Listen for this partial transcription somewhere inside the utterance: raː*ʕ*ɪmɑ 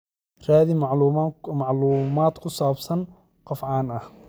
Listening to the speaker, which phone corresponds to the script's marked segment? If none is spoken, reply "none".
ð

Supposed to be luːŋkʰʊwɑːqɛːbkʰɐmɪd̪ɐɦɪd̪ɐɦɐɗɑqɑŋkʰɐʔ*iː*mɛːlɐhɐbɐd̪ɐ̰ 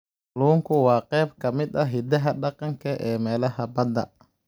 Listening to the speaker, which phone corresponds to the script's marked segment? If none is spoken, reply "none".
ɛː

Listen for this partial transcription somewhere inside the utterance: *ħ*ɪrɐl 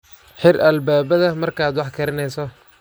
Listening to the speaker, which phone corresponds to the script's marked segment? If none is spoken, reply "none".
ħ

